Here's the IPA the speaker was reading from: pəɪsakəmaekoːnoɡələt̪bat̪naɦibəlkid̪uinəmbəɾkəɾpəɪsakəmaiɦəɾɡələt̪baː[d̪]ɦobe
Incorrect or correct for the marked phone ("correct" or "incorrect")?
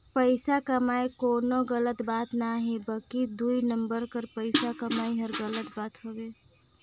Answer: incorrect